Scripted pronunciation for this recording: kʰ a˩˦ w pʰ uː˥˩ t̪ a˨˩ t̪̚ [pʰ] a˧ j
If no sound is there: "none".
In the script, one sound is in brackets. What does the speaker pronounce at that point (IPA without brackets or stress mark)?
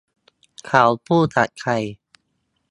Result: kʰ